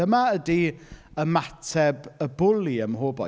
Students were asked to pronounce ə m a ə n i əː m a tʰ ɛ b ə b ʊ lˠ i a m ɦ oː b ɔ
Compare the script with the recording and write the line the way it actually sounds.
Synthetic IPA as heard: ə m a ə d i ə m a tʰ ɛ b ə b ʊ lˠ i ə m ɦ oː b ɔ